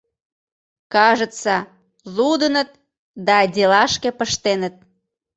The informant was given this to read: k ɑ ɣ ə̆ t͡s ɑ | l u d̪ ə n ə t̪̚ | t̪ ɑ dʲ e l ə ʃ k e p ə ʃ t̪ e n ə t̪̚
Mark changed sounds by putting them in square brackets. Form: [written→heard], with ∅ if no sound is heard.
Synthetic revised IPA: k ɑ [ɣ→ʒ] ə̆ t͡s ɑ | l u d̪ ə n ə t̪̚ | [t̪→d̪] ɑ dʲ e l [ə→ɑ] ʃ k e p ə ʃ t̪ e n ə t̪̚